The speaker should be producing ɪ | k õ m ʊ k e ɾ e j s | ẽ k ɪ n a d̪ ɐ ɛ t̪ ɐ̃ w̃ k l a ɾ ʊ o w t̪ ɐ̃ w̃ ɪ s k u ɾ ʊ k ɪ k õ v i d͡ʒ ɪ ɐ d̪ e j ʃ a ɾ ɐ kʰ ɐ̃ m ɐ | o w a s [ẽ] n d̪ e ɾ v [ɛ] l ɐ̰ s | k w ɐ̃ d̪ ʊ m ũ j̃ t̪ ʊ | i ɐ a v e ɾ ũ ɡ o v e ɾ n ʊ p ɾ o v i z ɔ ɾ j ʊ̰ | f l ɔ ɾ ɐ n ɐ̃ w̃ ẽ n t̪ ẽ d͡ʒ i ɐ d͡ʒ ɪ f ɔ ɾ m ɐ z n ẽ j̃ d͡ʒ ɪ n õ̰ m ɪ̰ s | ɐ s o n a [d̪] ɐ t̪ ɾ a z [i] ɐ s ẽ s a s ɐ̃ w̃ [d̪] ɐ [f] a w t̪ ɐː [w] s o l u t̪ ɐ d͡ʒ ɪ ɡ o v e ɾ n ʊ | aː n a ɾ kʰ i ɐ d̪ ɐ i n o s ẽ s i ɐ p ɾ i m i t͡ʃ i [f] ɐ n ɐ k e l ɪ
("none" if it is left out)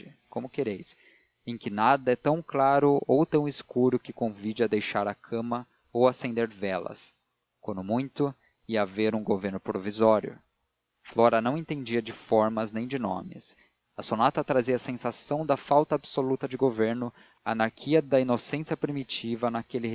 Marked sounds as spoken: ẽ, ɛ, t̪, i, d̪, f, b, v

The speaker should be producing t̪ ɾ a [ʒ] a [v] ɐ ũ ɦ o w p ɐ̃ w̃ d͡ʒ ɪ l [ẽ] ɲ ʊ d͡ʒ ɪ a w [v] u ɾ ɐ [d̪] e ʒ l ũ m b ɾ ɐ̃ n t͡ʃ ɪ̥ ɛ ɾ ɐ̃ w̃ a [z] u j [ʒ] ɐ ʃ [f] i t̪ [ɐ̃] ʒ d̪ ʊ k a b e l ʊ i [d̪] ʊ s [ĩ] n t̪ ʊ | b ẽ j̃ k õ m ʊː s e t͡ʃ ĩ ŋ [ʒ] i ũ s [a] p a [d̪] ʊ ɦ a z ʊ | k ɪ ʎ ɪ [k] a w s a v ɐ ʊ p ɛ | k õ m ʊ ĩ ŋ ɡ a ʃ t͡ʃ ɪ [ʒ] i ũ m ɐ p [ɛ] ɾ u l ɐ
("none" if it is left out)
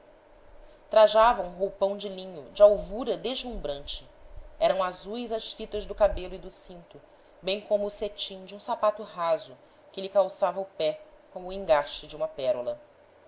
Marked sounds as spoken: ʒ, v, ĩ, v, d̪, z, z, f, ɐ, d̪, ĩ, d͡ʒ, a, t̪, k, d͡ʒ, ɛ

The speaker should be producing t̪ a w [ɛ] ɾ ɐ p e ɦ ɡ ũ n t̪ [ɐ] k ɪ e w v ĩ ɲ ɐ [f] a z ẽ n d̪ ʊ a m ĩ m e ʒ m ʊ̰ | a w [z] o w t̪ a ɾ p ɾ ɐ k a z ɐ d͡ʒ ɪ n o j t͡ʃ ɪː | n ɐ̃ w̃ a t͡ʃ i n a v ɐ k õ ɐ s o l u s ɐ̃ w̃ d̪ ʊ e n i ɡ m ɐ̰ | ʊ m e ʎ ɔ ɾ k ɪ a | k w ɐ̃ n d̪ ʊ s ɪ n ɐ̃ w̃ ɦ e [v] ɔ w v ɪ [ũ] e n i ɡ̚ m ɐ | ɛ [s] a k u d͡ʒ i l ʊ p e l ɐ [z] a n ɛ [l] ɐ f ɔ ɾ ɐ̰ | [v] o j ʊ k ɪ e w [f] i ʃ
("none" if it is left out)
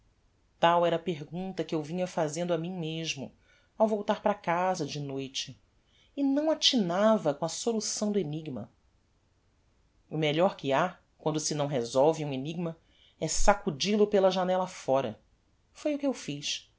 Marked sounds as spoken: ɛ, ɐ, f, v, z, ũ, s, ʒ, l, f, f

